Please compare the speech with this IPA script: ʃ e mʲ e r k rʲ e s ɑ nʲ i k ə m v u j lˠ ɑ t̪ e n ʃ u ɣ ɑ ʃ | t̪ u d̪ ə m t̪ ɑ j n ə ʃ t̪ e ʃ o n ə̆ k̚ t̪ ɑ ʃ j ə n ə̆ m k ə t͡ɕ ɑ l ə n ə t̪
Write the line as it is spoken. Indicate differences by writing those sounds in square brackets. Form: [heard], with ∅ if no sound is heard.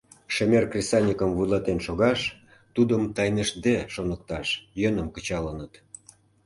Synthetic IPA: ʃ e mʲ e r k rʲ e s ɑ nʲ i k ə m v u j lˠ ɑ t̪ e n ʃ [o] ɣ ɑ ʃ | t̪ u d̪ ə m t̪ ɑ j n ə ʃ [d̪] e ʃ o n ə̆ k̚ t̪ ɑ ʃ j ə n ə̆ m k ə t͡ɕ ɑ l ə n ə t̪